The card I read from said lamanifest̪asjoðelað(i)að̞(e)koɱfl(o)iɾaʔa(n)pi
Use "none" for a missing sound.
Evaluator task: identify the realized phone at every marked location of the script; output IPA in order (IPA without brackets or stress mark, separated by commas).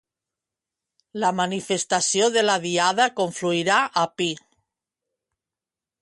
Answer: i, a, u, none